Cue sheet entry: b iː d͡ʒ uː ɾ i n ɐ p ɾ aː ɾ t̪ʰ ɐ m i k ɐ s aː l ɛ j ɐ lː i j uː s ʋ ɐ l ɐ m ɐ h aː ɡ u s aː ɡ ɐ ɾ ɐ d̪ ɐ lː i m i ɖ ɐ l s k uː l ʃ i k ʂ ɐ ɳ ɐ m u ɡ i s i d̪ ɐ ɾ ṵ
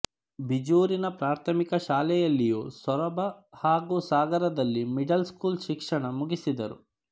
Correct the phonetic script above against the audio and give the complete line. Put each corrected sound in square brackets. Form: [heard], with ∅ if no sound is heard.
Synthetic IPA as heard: b [i] d͡ʒ uː ɾ i n ɐ p ɾ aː ɾ t̪ʰ ɐ m i k ɐ [ʃ] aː l ɛ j ɐ lː i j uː s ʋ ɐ [ɾ] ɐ [b] ɐ h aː ɡ u s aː ɡ ɐ ɾ ɐ d̪ ɐ lː i m i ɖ ɐ l s k uː l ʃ i k ʂ ɐ ɳ ɐ m u ɡ i s i d̪ ɐ ɾ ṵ

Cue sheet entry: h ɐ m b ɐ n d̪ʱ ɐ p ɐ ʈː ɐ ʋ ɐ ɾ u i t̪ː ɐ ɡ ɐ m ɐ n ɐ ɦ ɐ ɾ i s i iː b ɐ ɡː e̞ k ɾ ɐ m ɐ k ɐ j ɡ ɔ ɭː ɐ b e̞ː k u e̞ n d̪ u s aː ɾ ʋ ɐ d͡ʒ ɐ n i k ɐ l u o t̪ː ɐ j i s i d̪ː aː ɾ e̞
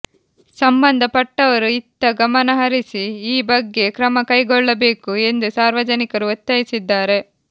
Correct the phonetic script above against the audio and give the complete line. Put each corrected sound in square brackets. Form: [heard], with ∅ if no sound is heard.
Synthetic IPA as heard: [s] ɐ m b ɐ n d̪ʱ ɐ p ɐ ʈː ɐ ʋ ɐ ɾ u i t̪ː ɐ ɡ ɐ m ɐ n ɐ ɦ ɐ ɾ i s i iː b ɐ ɡː e̞ k ɾ ɐ m ɐ k ɐ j ɡ ɔ ɭː ɐ b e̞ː k u e̞ n d̪ u s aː ɾ ʋ ɐ d͡ʒ ɐ n i k ɐ [ɾ] u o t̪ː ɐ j i s i d̪ː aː ɾ e̞

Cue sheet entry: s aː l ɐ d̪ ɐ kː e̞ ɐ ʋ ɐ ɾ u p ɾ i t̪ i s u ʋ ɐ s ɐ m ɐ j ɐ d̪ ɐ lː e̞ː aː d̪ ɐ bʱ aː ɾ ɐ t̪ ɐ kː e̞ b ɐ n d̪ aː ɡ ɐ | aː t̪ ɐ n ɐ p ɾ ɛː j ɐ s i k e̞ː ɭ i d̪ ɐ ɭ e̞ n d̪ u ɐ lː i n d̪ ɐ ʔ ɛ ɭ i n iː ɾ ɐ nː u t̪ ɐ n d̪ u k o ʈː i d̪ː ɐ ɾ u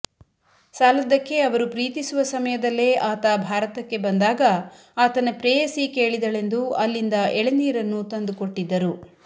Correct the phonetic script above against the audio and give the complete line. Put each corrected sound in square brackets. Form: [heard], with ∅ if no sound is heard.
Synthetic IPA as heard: s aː l ɐ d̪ ɐ kː e̞ ɐ ʋ ɐ ɾ u p ɾ [iː] t̪ i s u ʋ ɐ s ɐ m ɐ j ɐ d̪ ɐ lː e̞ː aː [t̪] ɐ bʱ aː ɾ ɐ t̪ ɐ kː e̞ b ɐ n d̪ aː ɡ ɐ | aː t̪ ɐ n ɐ p ɾ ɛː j ɐ s i k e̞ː ɭ i d̪ ɐ ɭ e̞ n d̪ u ɐ lː i n d̪ ɐ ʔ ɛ ɭ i n iː ɾ ɐ nː u t̪ ɐ n d̪ u k o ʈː i d̪ː ɐ ɾ u

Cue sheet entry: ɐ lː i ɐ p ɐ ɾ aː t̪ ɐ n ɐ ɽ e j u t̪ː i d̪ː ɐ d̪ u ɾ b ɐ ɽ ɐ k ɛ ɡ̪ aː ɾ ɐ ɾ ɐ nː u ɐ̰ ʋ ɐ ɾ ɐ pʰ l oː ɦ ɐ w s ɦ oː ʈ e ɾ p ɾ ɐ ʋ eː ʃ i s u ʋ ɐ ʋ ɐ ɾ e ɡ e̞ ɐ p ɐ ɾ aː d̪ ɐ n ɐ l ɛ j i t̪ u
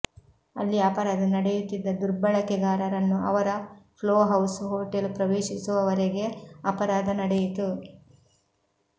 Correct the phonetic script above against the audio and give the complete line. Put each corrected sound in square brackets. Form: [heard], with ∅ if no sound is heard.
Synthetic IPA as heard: ɐ lː i ɐ p ɐ ɾ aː [d̪] ɐ n ɐ ɽ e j u t̪ː i d̪ː ɐ d̪ u ɾ b ɐ [ɭ] ɐ k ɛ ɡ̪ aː ɾ ɐ ɾ ɐ nː u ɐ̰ ʋ ɐ ɾ ɐ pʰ l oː ɦ ɐ w s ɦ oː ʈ e [l] p ɾ ɐ ʋ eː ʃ i s u ʋ ɐ ʋ ɐ ɾ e ɡ e̞ ɐ p ɐ ɾ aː d̪ ɐ n ɐ [ɽ] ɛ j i t̪ u

